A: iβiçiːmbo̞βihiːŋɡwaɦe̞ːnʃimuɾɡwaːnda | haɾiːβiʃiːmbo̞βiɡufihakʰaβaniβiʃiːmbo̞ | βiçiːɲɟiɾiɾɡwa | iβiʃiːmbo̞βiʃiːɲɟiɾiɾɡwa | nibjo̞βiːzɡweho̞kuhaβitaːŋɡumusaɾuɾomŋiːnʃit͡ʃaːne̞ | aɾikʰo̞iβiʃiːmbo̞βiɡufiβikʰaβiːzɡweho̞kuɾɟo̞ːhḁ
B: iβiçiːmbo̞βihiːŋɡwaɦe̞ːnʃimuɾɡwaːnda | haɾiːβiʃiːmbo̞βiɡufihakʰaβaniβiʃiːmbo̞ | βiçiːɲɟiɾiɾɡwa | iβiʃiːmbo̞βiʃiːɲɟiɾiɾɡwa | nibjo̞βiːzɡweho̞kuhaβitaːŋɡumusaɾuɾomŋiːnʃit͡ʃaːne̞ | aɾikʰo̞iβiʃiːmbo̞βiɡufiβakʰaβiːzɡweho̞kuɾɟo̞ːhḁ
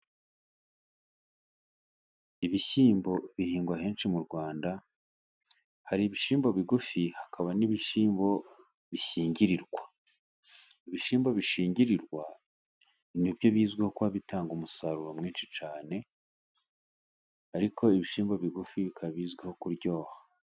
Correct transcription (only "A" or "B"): A